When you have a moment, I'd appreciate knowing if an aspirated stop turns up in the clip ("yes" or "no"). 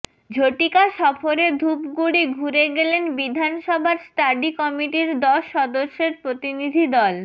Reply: no